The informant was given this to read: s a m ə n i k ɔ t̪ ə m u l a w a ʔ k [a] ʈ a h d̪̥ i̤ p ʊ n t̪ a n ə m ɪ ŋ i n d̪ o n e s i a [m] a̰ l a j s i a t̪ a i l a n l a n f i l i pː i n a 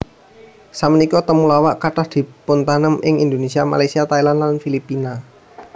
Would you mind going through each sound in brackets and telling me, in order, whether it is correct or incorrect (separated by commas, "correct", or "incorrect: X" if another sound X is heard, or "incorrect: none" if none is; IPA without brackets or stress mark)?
correct, correct